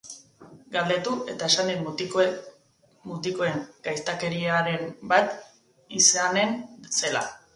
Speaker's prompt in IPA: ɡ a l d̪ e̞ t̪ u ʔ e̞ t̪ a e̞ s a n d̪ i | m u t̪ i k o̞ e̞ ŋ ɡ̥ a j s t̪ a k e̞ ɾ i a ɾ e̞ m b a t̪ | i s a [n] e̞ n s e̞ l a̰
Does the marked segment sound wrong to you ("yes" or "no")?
no